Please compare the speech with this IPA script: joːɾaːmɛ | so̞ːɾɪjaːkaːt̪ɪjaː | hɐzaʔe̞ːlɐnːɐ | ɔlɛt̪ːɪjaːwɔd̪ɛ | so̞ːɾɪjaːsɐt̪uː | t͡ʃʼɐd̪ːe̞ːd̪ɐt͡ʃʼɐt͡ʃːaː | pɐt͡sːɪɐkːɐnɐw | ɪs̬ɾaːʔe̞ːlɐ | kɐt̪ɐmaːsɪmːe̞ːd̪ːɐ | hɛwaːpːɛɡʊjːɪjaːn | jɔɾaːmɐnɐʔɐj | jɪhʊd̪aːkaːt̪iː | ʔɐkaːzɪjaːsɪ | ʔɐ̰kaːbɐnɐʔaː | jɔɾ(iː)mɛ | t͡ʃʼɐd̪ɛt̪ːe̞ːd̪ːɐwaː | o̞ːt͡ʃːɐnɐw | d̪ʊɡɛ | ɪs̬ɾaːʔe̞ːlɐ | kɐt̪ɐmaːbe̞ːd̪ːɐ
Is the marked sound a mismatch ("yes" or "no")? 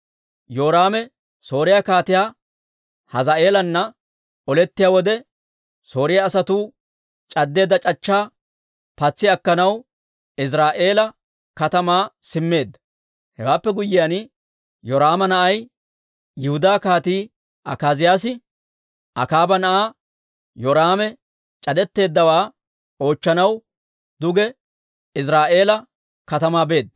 yes